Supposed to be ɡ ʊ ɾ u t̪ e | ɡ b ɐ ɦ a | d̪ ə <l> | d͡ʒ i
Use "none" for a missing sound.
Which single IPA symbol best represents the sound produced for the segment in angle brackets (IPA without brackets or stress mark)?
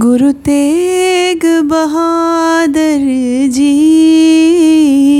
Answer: ɾ